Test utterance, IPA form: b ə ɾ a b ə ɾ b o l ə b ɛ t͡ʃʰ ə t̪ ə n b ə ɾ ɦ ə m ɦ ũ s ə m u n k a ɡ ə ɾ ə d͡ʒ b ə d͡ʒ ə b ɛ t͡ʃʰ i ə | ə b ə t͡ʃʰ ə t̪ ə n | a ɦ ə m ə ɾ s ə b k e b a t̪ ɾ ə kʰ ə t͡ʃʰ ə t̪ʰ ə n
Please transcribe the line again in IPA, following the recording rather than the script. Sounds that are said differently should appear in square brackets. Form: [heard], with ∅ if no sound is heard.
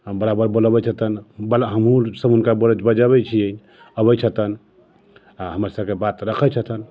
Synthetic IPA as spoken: b ə ɾ a b ə ɾ b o l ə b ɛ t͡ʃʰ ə t̪ ə n b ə [l] ɦ ə m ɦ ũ s ə [b] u n k a [b] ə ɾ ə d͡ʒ b ə d͡ʒ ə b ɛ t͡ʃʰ i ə | ə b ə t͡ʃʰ ə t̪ ə n | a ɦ ə m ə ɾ s ə b k e b a t̪ ɾ ə kʰ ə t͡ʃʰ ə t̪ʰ ə n